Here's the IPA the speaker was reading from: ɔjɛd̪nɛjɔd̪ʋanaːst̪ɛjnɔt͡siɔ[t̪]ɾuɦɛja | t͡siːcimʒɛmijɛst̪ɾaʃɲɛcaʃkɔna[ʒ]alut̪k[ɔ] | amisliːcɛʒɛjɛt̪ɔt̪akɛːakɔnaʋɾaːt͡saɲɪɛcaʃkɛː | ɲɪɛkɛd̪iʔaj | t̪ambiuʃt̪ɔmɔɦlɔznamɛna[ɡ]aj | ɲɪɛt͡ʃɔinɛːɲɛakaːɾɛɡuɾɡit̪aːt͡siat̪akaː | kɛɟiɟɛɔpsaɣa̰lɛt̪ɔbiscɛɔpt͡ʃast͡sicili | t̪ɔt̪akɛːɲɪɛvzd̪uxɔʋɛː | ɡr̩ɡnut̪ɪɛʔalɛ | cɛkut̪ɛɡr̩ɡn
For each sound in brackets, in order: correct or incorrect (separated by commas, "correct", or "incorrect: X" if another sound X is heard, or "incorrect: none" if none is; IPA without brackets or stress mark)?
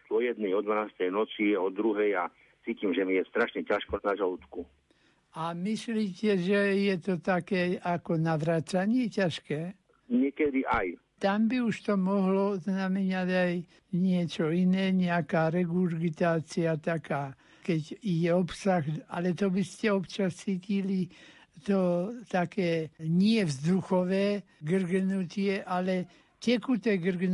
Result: incorrect: d̪, correct, incorrect: u, incorrect: ɟ